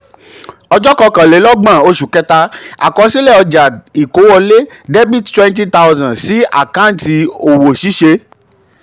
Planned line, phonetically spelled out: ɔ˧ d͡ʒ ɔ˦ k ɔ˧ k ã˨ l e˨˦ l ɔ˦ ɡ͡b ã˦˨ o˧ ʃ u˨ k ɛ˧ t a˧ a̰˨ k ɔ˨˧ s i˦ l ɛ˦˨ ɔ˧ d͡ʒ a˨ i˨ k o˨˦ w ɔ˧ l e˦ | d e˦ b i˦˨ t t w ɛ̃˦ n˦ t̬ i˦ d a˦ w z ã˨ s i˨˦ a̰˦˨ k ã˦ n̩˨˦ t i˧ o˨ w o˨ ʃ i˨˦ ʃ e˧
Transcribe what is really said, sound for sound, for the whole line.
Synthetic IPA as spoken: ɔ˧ d͡ʒ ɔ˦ k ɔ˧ k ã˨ l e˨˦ l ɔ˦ ɡ͡b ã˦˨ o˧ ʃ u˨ k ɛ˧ t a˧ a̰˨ k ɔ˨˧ s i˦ l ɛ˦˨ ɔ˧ d͡ʒ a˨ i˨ k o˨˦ w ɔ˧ l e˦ | d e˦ b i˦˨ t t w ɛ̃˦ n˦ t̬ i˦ t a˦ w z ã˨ s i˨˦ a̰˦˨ k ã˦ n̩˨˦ t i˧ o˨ w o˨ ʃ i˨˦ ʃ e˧